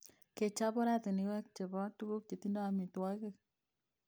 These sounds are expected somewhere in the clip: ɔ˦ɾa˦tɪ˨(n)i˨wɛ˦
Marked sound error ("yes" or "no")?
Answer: no